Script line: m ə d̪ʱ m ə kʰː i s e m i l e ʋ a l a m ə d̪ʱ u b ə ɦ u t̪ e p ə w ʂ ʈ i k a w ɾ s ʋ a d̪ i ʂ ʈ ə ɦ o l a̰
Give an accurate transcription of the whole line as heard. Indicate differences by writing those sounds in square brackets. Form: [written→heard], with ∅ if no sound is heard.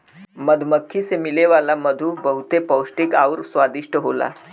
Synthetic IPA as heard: m ə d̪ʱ m ə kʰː i s e m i l e ʋ a l a m ə d̪ʱ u b ə ɦ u t̪ e p ə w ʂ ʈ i k a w ɾ s ʋ a d̪ i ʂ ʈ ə ɦ o l a̰